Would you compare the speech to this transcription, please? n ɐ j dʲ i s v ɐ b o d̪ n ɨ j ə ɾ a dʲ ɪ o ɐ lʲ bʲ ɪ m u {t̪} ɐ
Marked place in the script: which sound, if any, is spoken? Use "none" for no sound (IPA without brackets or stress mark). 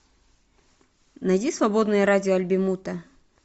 t̪